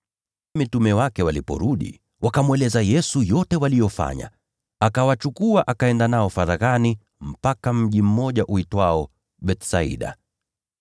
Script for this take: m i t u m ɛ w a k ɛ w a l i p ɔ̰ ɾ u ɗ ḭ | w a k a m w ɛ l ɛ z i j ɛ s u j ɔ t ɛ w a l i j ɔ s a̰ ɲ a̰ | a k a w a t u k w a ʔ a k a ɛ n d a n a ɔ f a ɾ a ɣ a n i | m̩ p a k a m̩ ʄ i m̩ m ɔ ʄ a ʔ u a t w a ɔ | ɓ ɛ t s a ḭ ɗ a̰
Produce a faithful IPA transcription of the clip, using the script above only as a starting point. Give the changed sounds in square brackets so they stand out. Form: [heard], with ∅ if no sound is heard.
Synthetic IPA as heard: m i t u m ɛ w a k ɛ w a l i p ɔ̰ ɾ u ɗ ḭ | w a k a m w ɛ l ɛ z [a] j ɛ s u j ɔ t ɛ w a l i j ɔ [f] a̰ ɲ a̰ | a k a w a [t͡ʃ] u k [u] a ʔ a k a ɛ n d a n a ɔ f a ɾ a ɣ a n i | m̩ p a k a m̩ ʄ i m̩ m ɔ ʄ a ʔ u [i] t w a ɔ | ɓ ɛ t s a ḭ ɗ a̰